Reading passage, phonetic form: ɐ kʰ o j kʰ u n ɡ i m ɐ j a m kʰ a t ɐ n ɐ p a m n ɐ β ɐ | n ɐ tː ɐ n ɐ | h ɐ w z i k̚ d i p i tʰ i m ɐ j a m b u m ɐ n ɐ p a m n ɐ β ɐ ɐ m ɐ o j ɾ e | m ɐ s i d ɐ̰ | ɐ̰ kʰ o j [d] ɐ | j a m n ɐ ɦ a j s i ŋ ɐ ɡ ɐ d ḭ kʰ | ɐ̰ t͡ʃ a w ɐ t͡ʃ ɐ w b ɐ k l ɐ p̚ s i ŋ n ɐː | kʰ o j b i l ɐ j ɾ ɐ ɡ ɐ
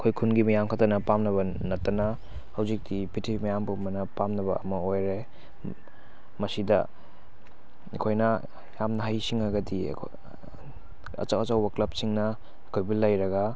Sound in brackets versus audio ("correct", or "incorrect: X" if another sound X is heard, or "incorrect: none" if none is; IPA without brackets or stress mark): incorrect: n